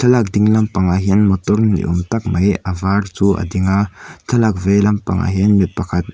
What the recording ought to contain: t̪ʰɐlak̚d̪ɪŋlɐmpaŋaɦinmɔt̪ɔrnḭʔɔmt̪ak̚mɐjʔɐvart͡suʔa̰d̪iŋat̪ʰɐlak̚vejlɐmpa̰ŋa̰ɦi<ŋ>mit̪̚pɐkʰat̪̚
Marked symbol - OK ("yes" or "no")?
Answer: no